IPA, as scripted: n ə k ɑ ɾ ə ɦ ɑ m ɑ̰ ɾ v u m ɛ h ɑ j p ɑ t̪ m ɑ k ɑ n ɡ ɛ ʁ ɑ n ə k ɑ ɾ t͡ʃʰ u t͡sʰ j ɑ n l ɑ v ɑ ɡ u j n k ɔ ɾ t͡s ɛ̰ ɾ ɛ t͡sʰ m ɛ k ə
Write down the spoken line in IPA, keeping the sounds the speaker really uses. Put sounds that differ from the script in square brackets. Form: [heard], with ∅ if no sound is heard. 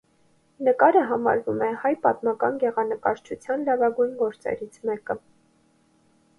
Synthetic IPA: n ə k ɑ ɾ ə ɦ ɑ m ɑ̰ ɾ v u m ɛ h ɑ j p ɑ t̪ m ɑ k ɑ n ɡ ɛ ʁ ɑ n ə k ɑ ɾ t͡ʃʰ u t͡sʰ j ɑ n l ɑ v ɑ ɡ u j n [ɡ] ɔ ɾ t͡s ɛ̰ ɾ [i] t͡sʰ m ɛ k ə

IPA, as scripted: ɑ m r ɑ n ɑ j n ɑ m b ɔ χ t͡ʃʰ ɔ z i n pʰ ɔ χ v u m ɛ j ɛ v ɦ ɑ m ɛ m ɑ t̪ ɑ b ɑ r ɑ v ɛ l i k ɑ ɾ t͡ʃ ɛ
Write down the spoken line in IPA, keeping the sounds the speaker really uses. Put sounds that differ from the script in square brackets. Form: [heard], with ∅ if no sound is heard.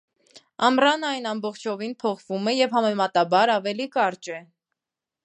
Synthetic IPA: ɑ m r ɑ n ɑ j n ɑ m b ɔ χ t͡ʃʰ ɔ [v] i n pʰ ɔ χ v u m ɛ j ɛ v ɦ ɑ m ɛ m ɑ t̪ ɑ b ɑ [ɾ] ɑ v ɛ l i k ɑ ɾ t͡ʃ ɛ

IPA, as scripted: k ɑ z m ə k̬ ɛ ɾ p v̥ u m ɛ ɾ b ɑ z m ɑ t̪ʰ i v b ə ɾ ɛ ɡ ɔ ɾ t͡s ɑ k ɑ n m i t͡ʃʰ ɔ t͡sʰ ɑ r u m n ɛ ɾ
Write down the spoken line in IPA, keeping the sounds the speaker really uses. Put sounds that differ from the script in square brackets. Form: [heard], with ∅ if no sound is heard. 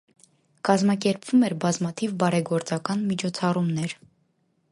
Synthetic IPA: k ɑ z m [ɑ] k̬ ɛ ɾ p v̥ u m ɛ ɾ b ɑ z m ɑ t̪ʰ i v b [ɑ] ɾ ɛ ɡ ɔ ɾ t͡s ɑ k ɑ n m i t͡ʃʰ ɔ t͡sʰ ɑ r u m n ɛ ɾ

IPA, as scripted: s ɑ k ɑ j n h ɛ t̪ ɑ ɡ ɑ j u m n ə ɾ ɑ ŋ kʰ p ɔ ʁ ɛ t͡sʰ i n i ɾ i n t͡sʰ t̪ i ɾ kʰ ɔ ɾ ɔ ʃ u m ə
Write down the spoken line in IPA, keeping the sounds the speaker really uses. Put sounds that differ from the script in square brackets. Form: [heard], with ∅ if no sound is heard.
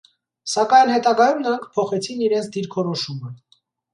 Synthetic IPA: s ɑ k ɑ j n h ɛ t̪ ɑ ɡ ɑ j u m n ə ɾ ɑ ŋ kʰ [pʰ] ɔ [χ] ɛ t͡sʰ i n i ɾ [ɛ] n t͡sʰ [d̪] i ɾ kʰ ɔ ɾ ɔ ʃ u m ə

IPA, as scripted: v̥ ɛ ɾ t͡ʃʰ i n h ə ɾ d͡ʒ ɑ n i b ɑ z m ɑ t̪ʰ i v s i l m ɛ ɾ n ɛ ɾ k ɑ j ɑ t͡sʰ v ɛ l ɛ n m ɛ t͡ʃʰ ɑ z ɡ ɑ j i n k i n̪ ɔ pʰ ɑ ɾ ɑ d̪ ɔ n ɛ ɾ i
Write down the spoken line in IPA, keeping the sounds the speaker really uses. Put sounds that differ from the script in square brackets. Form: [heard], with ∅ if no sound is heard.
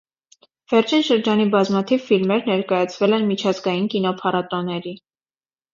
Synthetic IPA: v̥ ɛ ɾ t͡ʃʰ i n [ʃ] ə ɾ d͡ʒ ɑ n i b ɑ z m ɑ t̪ʰ i v [f] i l m ɛ ɾ n ɛ ɾ k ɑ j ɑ t͡sʰ v ɛ l ɛ n m [i] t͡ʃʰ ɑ z ɡ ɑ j i n k i n̪ ɔ pʰ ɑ ɾ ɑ [t̪] ɔ n ɛ ɾ i

